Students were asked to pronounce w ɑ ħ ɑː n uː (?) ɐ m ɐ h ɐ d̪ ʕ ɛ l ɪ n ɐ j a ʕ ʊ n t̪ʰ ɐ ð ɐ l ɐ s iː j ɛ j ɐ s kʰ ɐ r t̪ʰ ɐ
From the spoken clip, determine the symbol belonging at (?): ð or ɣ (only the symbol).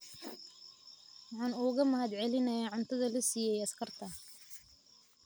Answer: ɣ